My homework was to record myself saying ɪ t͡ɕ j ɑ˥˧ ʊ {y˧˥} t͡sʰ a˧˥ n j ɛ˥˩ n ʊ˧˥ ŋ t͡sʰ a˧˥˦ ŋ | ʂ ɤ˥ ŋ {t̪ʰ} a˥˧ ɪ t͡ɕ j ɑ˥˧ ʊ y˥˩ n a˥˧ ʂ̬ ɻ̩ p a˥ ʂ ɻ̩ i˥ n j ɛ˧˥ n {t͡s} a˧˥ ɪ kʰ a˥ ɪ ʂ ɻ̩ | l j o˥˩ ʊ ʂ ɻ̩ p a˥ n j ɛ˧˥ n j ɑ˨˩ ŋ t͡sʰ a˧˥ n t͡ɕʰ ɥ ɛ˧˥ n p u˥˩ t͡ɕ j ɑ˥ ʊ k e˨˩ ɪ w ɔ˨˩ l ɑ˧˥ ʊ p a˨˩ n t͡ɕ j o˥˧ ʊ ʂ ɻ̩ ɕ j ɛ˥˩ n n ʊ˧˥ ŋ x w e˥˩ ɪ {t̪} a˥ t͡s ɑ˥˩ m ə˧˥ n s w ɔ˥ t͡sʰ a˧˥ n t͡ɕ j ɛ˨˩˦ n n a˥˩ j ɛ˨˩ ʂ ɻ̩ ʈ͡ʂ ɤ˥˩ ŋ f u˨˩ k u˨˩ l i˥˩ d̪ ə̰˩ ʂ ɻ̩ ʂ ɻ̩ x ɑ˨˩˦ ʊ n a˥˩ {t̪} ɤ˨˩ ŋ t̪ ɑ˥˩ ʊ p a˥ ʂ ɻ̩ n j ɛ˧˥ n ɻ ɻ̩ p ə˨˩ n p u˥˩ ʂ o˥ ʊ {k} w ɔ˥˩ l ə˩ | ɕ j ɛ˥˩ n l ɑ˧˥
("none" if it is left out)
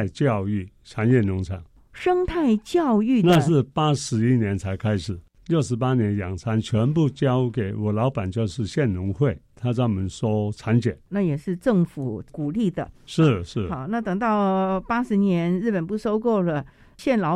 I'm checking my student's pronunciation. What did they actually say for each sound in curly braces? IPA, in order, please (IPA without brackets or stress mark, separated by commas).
y˥˩, t̪ʰ, t͡sʰ, t̪ʰ, t̪, k